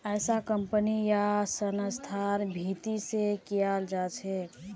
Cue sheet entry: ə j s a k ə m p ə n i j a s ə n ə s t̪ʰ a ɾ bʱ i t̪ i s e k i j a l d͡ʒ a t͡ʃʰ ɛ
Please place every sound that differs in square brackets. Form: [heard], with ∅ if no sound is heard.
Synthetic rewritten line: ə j s a k ə m p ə n i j a s ə n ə s t̪ʰ a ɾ bʱ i t̪ i s e k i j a l d͡ʒ a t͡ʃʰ ɛ